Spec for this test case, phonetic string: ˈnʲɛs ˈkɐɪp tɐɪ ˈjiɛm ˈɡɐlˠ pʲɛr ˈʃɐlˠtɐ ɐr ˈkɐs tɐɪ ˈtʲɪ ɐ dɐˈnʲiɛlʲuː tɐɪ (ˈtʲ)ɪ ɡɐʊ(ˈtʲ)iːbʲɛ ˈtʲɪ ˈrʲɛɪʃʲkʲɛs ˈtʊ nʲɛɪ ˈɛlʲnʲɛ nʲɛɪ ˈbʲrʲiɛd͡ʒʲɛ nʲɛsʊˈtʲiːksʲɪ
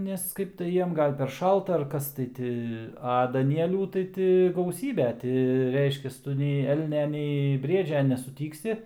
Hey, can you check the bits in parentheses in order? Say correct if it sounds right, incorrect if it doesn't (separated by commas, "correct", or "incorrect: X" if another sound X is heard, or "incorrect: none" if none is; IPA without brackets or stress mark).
correct, incorrect: sʲ